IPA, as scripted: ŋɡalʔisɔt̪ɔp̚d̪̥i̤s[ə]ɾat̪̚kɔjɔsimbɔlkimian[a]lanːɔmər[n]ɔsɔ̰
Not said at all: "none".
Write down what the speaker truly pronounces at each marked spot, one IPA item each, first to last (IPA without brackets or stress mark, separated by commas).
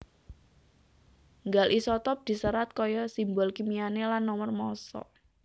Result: ə, e, m